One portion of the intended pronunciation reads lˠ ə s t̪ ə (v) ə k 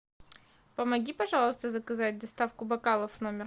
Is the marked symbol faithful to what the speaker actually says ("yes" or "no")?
no